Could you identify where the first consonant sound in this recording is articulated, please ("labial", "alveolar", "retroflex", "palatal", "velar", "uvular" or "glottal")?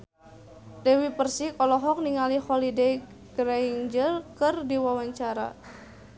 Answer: alveolar